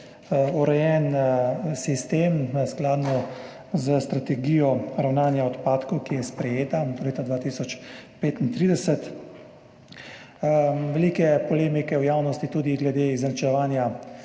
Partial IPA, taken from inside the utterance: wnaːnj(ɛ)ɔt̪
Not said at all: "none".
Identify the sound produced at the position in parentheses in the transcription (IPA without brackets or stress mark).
a